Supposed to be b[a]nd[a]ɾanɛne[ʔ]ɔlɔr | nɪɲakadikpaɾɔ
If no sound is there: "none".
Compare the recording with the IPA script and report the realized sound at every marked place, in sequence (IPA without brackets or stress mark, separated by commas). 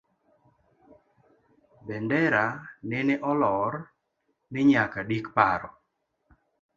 ɛ, ɛ, ʔ